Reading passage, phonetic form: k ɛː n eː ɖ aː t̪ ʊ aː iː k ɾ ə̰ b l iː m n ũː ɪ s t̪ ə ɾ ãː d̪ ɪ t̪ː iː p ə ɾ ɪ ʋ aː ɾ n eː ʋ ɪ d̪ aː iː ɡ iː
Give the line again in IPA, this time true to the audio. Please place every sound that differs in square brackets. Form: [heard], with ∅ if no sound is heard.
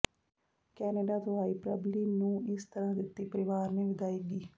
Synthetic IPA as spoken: k ɛː n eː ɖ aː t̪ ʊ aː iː [p] ɾ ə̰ b l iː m n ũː ɪ s t̪ ə ɾ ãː d̪ ɪ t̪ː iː p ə ɾ ɪ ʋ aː ɾ n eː ʋ ɪ d̪ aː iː ɡ iː

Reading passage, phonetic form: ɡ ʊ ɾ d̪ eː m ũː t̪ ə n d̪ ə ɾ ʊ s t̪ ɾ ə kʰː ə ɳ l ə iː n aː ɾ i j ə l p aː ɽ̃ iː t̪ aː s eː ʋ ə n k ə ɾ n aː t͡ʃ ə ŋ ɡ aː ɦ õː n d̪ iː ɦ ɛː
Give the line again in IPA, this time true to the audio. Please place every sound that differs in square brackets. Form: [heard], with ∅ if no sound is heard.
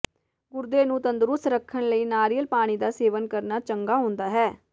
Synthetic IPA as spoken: ɡ ʊ ɾ d̪ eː [n] ũː t̪ ə n d̪ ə ɾ ʊ s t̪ ɾ ə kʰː ə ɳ l ə iː n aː ɾ i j ə l p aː ɽ̃ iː [d̪] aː s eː ʋ ə n k ə ɾ n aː t͡ʃ ə ŋ ɡ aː ɦ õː n d̪ [aː] ɦ ɛː

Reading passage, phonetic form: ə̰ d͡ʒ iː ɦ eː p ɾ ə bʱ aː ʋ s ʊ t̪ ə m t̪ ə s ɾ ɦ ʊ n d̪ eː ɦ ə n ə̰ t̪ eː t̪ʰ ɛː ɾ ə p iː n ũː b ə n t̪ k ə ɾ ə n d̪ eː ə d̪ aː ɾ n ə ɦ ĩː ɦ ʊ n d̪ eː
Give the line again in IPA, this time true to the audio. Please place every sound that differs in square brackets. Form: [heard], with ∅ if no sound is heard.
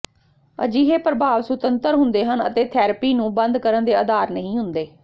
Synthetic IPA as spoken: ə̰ d͡ʒ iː ɦ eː p ɾ ə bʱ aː ʋ s ʊ t̪ ə [n] t̪ ə [∅] ɾ ɦ ʊ n d̪ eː ɦ ə n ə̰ t̪ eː t̪ʰ ɛː ɾ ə p iː n ũː b ə n [d̪] k ə ɾ ə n d̪ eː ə d̪ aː ɾ n ə ɦ ĩː ɦ ʊ n d̪ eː

